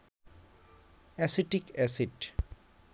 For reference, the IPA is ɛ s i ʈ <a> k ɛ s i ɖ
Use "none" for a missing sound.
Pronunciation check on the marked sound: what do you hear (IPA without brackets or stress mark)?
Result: i